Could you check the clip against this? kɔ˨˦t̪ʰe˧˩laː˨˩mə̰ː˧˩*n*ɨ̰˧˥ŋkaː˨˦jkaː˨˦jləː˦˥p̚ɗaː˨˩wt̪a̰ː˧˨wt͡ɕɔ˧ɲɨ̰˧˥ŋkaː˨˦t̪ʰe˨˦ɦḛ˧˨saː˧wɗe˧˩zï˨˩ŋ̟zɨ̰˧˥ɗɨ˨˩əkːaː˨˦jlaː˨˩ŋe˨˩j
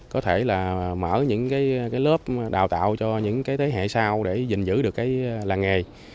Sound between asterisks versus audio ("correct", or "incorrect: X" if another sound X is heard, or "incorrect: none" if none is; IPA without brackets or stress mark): incorrect: ɲ